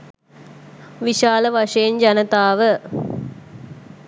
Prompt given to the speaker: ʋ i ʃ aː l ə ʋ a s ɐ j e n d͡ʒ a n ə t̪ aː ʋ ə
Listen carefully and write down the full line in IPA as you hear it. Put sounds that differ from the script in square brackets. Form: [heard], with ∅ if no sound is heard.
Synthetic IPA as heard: ʋ i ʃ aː l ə ʋ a [ʂ] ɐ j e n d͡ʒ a n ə t̪ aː ʋ ə